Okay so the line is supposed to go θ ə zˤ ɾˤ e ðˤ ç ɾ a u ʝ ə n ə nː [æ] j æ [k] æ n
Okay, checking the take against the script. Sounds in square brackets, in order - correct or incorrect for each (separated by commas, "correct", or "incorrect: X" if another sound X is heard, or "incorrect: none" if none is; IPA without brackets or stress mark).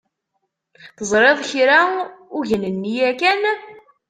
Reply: incorrect: i, correct